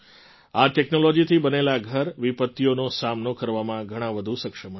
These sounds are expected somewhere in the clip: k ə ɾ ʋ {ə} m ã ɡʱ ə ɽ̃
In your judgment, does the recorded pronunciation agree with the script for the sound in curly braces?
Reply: no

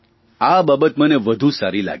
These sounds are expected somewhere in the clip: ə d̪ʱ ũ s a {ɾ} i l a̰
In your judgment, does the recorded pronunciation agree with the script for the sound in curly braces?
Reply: yes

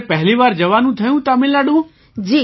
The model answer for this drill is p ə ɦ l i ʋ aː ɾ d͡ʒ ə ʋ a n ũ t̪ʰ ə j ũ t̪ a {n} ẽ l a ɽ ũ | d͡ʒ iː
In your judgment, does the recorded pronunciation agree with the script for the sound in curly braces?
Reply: no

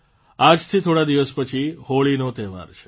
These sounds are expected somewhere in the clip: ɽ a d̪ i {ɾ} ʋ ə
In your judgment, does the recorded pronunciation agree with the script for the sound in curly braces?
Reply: no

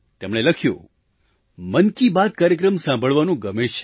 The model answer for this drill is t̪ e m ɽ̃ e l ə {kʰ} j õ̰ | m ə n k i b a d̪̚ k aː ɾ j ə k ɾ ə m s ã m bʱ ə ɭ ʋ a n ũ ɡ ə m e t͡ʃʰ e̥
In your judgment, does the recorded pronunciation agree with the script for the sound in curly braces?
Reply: yes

